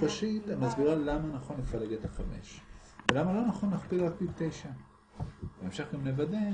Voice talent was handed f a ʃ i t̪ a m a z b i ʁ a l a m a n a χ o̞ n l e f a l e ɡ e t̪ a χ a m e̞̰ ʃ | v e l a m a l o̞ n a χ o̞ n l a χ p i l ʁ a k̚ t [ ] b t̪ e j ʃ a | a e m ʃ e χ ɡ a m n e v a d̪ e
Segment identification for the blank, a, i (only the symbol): i